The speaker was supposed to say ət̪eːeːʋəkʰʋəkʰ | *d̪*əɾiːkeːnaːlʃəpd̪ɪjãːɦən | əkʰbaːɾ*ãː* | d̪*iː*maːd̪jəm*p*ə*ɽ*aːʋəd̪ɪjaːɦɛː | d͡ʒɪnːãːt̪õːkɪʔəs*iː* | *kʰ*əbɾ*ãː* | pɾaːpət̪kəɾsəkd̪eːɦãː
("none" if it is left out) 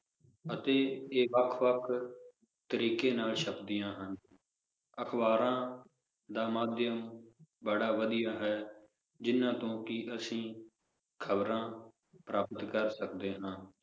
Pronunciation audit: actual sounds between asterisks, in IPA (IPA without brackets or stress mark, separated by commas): t̪, ãː, aː, b, ɽ, ĩː, kʰ, ãː